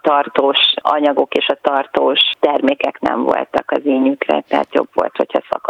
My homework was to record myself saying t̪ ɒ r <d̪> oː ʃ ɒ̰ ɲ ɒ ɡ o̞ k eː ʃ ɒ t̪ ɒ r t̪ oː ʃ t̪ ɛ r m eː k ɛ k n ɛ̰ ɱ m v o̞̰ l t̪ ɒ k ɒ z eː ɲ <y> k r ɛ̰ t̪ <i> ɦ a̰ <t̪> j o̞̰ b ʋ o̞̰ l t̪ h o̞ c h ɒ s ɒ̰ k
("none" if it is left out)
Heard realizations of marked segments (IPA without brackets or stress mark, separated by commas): t̪, y, ɛ, t̪